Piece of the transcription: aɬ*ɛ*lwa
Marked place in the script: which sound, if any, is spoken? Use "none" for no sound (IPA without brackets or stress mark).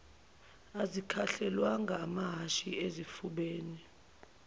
ɛ